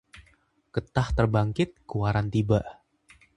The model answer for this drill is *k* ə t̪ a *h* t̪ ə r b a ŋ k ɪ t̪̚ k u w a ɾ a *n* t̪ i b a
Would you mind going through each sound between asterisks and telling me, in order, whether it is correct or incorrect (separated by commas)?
correct, correct, correct